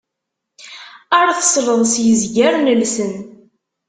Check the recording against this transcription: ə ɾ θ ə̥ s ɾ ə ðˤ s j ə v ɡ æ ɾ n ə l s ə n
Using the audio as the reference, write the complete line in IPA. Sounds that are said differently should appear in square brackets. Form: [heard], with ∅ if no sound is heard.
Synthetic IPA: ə ɾ θ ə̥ s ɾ ə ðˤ s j ə [z] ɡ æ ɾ n ə l s ə n